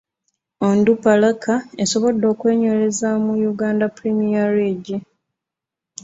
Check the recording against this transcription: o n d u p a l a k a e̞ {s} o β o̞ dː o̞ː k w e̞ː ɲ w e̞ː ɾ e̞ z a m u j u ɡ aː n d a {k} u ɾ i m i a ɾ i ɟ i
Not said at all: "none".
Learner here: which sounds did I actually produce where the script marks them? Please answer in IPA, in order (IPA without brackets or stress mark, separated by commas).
s, p